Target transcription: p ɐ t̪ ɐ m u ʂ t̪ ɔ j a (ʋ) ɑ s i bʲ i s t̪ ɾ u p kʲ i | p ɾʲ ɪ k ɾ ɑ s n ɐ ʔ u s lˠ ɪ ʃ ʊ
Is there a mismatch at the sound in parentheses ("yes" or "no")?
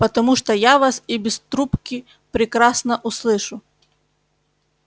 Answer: no